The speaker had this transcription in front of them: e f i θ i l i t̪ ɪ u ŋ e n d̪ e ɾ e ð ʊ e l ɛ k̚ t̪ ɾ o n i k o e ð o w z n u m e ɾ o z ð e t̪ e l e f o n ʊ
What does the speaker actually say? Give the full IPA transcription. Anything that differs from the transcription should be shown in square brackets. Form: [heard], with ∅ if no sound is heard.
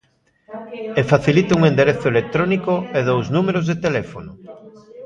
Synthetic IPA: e f [a] θ i l i t̪ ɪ u ŋ e n d̪ e ɾ e [θ] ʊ e l [e] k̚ t̪ ɾ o n i k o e ð o w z n u m e ɾ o z ð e t̪ e l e f o n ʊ